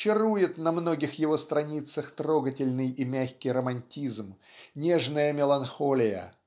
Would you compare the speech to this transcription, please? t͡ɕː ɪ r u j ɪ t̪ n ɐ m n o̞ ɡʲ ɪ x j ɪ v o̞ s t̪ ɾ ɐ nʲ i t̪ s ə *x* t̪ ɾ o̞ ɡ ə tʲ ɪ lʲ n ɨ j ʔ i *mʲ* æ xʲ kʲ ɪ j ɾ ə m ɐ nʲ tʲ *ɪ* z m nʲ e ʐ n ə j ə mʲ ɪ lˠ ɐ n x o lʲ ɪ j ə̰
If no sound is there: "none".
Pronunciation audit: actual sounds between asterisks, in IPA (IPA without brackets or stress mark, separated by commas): x, mʲ, i